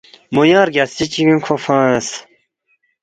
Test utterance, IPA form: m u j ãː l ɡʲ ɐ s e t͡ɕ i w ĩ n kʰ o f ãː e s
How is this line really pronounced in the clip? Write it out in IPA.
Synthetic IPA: m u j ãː ɾ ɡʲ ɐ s i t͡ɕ i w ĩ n kʰ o f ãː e s